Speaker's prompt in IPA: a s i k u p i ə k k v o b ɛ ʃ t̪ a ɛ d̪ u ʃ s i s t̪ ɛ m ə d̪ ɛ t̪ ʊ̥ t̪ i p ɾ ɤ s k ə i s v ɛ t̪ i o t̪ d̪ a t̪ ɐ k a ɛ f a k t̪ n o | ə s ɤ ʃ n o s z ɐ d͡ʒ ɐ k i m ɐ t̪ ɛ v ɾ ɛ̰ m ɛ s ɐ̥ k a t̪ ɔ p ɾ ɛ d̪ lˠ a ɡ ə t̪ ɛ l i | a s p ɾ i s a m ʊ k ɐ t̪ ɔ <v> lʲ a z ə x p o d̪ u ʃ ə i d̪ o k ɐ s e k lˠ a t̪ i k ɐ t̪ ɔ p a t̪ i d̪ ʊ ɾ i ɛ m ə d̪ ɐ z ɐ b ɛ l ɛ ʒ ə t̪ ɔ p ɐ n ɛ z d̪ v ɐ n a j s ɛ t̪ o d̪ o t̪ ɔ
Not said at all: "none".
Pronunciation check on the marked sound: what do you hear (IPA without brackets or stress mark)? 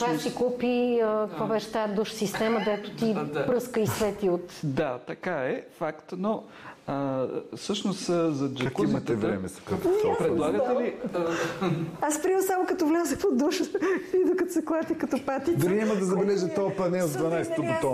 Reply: v